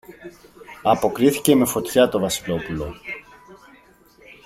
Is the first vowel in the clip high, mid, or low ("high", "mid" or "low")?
low